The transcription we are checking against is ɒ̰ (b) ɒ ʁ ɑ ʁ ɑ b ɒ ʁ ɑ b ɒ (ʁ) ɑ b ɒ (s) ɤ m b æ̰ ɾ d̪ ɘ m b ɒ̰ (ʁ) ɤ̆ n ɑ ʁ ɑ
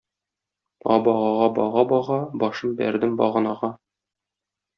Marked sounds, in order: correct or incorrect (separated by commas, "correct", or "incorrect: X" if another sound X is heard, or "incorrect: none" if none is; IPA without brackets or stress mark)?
correct, correct, incorrect: ʃ, correct